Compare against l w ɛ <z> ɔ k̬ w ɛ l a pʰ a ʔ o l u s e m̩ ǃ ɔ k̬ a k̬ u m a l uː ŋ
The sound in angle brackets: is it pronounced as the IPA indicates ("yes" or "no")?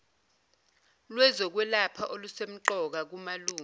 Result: yes